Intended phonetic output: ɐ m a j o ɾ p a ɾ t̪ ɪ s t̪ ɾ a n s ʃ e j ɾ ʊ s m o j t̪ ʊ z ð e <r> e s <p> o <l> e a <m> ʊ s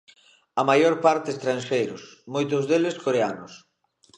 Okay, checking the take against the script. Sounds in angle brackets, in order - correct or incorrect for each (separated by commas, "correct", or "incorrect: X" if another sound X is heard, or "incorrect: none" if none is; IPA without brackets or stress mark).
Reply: incorrect: l, incorrect: k, incorrect: ɾ, incorrect: n